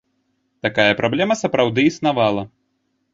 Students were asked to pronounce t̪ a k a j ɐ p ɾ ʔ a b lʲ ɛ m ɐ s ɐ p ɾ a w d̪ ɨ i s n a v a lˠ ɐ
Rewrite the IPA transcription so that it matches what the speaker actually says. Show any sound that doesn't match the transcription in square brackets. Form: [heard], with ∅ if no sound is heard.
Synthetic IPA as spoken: t̪ a k a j ɐ p ɾ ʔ a b lʲ ɛ m ɐ s ɐ p ɾ a w d̪ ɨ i s n a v a lˠ ɐ